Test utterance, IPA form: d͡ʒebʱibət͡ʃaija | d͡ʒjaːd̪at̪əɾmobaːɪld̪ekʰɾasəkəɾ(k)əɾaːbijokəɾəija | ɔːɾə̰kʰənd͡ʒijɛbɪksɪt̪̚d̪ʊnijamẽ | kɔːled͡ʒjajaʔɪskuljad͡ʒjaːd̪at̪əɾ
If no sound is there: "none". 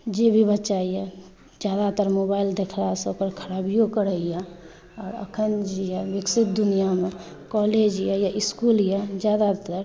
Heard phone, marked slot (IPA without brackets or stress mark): kʰ